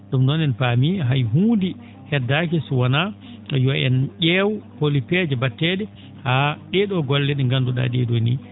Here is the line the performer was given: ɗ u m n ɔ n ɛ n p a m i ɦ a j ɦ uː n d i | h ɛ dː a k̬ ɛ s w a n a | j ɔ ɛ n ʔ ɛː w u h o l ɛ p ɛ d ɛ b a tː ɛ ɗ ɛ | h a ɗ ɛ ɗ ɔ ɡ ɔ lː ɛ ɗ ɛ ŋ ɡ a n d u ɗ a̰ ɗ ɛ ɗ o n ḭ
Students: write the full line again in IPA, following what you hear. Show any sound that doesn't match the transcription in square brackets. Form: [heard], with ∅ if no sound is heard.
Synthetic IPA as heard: ɗ u m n ɔ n ɛ n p a m i ɦ a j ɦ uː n d i | h ɛ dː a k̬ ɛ s w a n a | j ɔ ɛ n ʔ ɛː w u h o l [i] p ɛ [d͡ʒ] ɛ b a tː ɛ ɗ ɛ | h a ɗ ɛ ɗ ɔ ɡ ɔ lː ɛ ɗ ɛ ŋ ɡ a n d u ɗ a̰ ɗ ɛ ɗ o n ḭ